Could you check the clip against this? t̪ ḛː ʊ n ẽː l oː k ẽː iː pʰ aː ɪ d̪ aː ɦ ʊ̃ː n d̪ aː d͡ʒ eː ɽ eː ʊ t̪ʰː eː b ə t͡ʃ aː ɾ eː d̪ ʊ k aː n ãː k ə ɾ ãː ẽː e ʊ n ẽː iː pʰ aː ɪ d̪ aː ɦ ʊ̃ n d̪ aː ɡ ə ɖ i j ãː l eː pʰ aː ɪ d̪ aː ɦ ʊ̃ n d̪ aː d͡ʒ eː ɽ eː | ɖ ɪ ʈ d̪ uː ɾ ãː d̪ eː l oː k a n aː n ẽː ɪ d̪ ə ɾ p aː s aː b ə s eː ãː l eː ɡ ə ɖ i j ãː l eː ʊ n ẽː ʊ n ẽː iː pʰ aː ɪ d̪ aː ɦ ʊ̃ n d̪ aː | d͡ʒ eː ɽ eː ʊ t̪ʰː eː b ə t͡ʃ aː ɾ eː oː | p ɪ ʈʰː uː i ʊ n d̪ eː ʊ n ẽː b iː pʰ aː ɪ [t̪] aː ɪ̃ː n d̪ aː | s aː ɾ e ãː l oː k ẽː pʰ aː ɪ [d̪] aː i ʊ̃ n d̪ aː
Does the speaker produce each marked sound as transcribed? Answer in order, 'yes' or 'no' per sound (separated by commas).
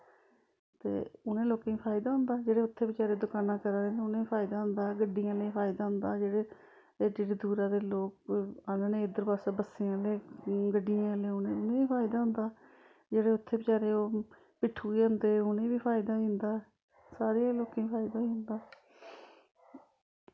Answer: no, yes